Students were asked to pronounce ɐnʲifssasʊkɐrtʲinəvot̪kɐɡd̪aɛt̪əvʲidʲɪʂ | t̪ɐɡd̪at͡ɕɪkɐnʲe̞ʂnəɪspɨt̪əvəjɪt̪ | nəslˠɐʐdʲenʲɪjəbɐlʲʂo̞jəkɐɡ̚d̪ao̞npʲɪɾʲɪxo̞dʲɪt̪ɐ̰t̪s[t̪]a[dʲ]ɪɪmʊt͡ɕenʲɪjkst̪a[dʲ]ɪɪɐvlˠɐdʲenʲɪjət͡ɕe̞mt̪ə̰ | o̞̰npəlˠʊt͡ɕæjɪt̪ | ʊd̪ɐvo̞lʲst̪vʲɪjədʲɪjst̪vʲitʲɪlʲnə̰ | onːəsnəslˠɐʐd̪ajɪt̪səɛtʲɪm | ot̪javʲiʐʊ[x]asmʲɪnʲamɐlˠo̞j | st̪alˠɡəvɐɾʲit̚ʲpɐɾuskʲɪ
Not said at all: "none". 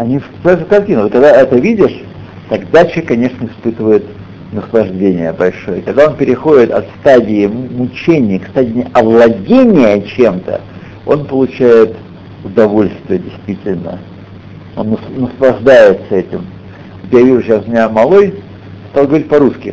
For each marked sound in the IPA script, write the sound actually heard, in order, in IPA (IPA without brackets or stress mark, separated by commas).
t̪, dʲ, dʲ, ɕ